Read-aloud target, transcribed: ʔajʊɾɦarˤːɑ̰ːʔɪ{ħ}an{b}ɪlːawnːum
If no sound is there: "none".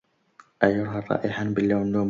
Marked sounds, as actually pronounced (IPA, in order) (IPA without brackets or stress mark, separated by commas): ħ, b